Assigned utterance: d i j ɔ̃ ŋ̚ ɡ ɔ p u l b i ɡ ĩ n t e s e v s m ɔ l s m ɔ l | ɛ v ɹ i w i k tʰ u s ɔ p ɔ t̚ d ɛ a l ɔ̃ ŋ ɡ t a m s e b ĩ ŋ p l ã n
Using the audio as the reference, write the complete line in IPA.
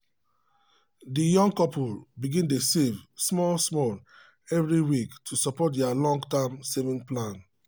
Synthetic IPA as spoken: d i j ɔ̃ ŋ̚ k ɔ p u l b i ɡ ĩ n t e s e v s m ɔ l s m ɔ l | ɛ v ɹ i w i k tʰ u s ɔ p ɔ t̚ d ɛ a l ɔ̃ ŋ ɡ t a m s e v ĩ ŋ p l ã n